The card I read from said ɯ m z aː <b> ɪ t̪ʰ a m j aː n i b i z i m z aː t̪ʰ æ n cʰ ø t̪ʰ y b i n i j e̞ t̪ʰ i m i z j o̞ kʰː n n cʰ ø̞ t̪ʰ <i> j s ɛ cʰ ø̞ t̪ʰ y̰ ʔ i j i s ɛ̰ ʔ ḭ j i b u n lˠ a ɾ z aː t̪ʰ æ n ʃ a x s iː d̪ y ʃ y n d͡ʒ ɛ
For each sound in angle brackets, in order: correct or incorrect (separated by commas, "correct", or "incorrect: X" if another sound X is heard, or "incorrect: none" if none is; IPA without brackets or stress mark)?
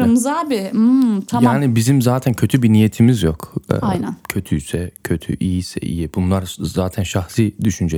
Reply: correct, incorrect: y